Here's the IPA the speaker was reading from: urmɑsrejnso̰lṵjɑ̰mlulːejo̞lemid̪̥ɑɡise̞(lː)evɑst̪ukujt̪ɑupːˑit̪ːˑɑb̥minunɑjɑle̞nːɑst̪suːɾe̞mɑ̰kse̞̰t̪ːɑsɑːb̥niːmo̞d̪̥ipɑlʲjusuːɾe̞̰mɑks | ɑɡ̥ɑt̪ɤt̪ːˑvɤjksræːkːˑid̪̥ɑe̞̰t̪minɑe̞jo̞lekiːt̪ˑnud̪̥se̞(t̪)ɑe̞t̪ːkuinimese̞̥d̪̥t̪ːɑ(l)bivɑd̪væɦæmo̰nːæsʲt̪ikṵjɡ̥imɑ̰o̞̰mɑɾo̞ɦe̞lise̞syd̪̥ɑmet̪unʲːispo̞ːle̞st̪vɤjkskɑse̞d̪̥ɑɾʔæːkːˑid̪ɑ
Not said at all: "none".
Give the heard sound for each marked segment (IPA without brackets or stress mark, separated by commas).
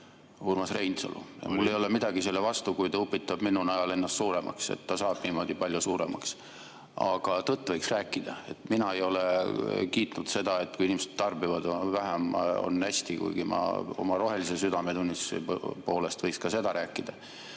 lː, d̪, r